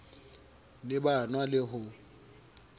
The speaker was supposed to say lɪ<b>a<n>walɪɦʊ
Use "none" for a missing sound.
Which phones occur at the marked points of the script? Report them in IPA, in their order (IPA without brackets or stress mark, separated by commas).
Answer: b, n